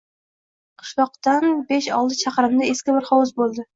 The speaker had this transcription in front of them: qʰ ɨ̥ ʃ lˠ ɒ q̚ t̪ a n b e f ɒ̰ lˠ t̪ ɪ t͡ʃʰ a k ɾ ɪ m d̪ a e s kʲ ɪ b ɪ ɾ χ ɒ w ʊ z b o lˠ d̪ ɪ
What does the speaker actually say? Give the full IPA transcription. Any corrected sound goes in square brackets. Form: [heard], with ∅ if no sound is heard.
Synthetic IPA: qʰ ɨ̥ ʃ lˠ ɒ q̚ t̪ a n b e [ʃ] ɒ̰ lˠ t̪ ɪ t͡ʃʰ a [q] ɾ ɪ m d̪ a e s kʲ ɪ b ɪ ɾ χ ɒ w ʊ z b o lˠ d̪ ɪ